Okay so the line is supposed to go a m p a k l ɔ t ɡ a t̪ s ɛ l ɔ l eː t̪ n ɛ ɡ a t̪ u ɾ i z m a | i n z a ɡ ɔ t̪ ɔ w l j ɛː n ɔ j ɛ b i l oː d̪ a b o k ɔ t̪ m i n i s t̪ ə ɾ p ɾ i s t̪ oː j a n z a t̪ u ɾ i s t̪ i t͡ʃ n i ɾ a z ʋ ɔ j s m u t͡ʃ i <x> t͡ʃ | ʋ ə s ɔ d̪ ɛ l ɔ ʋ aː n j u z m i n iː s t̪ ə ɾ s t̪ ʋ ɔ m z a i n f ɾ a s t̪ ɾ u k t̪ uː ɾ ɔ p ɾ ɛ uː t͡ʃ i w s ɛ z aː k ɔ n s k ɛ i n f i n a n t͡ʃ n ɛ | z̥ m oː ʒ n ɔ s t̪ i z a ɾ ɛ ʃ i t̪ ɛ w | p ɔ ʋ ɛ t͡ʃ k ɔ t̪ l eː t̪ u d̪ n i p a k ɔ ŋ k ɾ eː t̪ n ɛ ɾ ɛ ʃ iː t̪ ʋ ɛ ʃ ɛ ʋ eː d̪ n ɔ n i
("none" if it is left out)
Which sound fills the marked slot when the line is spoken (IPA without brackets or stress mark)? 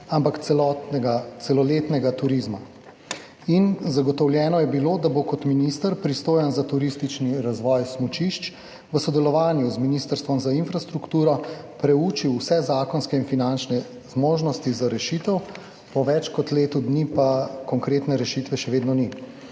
ʃ